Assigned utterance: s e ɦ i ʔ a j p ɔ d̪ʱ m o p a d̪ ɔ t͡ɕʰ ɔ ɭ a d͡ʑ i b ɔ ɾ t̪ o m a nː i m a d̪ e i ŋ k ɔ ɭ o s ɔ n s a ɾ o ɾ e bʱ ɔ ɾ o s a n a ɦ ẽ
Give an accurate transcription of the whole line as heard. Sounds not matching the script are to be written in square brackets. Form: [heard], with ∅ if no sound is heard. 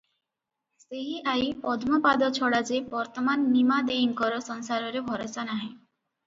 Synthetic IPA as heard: s e ɦ i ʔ a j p ɔ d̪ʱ m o p a d̪ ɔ t͡ɕʰ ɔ [ɽ] a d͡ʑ [e] b ɔ ɾ t̪ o m a nː i m a d̪ e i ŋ k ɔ [ɾ] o s ɔ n s a ɾ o ɾ e bʱ ɔ ɾ o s a n a ɦ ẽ

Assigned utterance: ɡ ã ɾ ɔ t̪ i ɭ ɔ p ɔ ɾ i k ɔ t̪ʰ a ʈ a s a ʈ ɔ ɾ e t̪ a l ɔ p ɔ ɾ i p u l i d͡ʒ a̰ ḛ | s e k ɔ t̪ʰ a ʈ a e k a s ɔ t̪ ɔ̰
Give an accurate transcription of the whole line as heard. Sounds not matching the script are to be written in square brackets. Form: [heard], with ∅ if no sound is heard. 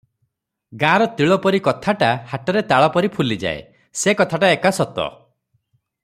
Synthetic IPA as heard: ɡ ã ɾ ɔ t̪ i ɭ ɔ p ɔ ɾ i k ɔ t̪ʰ a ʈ a [h] a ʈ ɔ ɾ e t̪ a [ɭ] ɔ p ɔ ɾ i [pʰ] u l i d͡ʒ a̰ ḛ | s e k ɔ t̪ʰ a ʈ a e k a s ɔ t̪ ɔ̰

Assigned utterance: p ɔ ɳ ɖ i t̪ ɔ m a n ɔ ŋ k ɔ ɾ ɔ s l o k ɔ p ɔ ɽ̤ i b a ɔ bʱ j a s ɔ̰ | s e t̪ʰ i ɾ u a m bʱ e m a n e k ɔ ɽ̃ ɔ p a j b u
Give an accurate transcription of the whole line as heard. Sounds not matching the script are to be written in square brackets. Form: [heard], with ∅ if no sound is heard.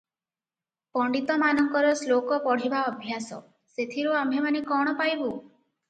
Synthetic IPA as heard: p ɔ ɳ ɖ i t̪ ɔ m a n ɔ ŋ k ɔ ɾ ɔ s l o k ɔ p ɔ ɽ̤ i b a ɔ bʱ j a s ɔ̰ | s e t̪ʰ i ɾ u a m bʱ e m a n e k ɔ ɽ̃ ɔ p a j b u

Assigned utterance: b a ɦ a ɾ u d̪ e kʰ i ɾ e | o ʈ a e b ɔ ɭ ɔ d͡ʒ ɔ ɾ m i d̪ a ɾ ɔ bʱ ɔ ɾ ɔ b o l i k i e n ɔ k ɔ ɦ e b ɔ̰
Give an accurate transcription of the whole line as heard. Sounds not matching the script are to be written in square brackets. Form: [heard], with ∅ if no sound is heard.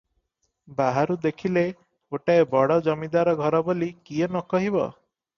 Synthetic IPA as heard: b a ɦ a ɾ u d̪ e kʰ i [l] e | o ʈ a e b ɔ [ɽ] ɔ d͡ʒ ɔ [∅] m i d̪ a ɾ ɔ [ɡʱ] ɔ ɾ ɔ b o l i k i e n ɔ k ɔ ɦ [i] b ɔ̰

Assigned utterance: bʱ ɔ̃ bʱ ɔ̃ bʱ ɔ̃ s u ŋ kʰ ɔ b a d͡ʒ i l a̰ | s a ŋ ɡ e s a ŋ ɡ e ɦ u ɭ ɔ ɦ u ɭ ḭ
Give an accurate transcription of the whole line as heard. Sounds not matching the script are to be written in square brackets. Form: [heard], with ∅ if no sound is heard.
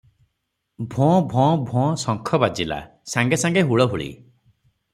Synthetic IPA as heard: bʱ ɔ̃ bʱ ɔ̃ bʱ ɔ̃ s [ɔ] ŋ kʰ ɔ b a d͡ʒ i l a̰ | s a ŋ ɡ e s a ŋ ɡ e ɦ u ɭ ɔ ɦ u ɭ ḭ

